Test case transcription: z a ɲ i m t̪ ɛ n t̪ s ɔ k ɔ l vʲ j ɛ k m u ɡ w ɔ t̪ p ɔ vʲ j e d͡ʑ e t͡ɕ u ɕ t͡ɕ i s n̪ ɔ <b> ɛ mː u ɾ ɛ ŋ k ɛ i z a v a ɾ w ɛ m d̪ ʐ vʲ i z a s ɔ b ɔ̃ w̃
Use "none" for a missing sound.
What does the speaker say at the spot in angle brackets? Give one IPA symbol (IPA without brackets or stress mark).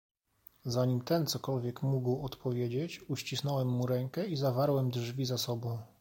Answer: w